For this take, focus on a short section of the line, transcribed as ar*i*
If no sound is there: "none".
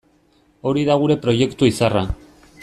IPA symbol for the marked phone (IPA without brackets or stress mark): a